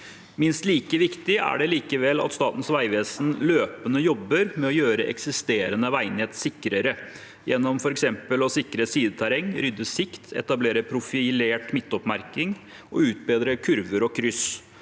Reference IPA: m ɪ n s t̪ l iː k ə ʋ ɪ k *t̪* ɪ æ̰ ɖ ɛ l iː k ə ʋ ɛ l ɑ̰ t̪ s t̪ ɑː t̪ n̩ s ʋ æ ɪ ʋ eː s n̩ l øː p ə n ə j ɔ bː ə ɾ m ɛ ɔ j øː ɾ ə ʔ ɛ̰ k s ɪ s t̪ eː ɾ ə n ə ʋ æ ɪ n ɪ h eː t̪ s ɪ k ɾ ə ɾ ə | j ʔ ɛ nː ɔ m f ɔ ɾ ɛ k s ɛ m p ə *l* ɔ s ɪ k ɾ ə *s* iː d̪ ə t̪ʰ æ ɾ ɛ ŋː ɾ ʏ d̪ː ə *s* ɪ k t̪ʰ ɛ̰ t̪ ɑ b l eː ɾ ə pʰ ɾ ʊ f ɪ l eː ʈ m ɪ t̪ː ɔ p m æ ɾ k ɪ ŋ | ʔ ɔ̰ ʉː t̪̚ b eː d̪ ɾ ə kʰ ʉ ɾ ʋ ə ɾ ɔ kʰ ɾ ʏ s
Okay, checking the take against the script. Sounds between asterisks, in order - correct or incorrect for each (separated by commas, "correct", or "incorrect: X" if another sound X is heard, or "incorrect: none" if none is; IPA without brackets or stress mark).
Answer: correct, correct, correct, correct